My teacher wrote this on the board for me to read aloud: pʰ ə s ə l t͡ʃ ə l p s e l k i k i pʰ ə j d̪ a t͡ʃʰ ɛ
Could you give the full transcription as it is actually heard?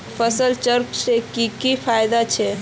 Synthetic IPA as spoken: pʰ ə s ə l t͡ʃ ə ɾ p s e k i k i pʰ a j d̪ a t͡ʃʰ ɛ